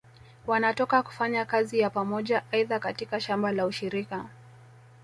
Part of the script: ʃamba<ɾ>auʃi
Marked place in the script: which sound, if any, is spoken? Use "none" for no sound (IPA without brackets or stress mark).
l